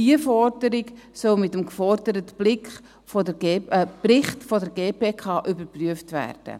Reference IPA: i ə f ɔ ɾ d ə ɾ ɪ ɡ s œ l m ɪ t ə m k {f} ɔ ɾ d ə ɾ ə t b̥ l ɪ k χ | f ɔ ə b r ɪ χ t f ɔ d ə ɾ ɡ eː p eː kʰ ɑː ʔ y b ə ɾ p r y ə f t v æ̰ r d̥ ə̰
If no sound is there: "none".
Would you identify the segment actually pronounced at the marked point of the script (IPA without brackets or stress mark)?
f